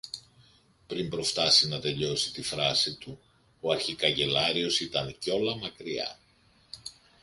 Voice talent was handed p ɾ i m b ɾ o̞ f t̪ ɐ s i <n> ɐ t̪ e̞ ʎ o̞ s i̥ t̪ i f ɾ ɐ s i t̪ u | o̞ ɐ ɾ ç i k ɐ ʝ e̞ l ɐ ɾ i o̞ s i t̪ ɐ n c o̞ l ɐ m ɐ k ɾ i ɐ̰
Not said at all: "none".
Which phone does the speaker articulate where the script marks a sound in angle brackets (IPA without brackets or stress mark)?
n